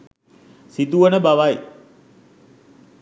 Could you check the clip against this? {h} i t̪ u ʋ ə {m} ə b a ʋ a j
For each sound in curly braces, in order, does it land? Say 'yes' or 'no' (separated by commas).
no, no